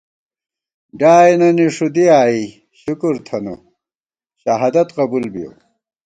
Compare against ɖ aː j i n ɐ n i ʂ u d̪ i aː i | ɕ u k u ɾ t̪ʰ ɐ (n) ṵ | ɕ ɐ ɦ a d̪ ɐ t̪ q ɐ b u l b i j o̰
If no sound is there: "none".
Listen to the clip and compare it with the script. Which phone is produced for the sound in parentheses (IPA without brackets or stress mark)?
n